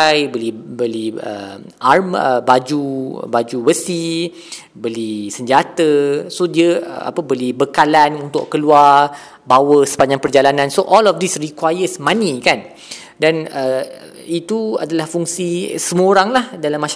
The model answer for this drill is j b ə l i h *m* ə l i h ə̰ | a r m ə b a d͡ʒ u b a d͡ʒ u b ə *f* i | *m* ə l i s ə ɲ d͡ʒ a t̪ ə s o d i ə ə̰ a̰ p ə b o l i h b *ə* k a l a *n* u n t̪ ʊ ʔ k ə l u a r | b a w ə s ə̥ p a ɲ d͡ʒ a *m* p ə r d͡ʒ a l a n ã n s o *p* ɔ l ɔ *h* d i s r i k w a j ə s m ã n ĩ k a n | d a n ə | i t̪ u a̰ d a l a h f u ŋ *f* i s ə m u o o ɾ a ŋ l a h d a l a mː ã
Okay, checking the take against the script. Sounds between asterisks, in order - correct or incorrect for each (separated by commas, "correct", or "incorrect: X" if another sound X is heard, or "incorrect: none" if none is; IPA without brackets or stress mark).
incorrect: b, incorrect: s, incorrect: b, correct, correct, incorrect: ŋ, incorrect: ʔ, incorrect: f, incorrect: s